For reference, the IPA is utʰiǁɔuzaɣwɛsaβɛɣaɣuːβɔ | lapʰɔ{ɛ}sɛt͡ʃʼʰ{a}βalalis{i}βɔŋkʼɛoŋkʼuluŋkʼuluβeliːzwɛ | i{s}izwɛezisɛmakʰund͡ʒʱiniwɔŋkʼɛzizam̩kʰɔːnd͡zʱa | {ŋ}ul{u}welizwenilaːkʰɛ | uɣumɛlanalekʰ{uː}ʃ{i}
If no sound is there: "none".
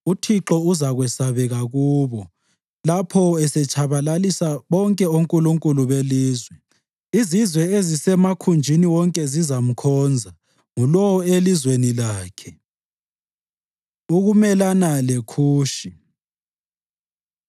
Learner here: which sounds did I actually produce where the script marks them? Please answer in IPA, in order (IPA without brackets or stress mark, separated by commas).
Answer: ɛ, a, a, z, ŋ, ɔ, uː, i